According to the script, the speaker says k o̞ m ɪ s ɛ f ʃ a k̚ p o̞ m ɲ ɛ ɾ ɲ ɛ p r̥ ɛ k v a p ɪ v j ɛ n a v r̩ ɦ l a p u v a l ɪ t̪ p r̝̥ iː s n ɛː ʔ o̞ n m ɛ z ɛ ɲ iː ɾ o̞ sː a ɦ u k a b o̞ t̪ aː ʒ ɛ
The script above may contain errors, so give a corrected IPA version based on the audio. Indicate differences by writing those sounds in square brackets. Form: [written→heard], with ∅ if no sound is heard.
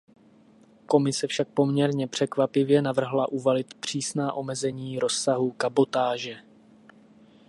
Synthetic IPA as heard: k o̞ m ɪ s ɛ f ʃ a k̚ p o̞ m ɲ ɛ ɾ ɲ ɛ p r̥ ɛ k v a p ɪ v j ɛ n a v r̩ ɦ l a [p→ʔ] u v a l ɪ t̪ p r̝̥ iː s n [ɛː→aː] ʔ o̞ [n→∅] m ɛ z ɛ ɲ iː ɾ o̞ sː a ɦ u k a b o̞ t̪ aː ʒ ɛ